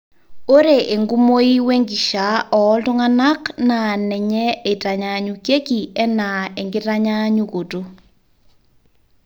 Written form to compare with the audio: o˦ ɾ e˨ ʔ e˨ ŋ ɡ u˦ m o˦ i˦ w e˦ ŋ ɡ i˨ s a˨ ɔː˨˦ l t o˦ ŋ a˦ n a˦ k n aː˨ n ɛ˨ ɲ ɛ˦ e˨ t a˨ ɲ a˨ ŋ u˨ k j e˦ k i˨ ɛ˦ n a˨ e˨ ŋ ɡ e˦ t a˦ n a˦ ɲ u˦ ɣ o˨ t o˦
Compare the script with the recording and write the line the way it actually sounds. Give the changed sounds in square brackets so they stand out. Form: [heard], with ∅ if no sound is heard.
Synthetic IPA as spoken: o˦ ɾ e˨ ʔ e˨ ŋ ɡ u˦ m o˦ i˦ w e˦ ŋ ɡ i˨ [ʃ] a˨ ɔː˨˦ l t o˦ ŋ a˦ n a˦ k n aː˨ n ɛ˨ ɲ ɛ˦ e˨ t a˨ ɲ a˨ [ɲ] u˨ k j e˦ k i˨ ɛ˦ n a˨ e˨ ŋ ɡ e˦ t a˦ [ɲ] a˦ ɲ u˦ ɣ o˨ t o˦